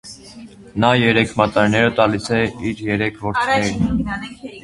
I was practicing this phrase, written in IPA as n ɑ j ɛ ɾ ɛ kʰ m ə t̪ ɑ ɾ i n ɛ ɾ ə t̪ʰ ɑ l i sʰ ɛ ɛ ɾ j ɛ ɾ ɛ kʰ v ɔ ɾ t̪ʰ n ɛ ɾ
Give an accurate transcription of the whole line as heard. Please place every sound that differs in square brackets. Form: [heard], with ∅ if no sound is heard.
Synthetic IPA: n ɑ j ɛ ɾ ɛ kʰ m [ɑ] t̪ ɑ ɾ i n ɛ ɾ ə [t̪] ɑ l i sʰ ɛ [i] ɾ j ɛ ɾ ɛ kʰ v ɔ ɾ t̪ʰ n ɛ ɾ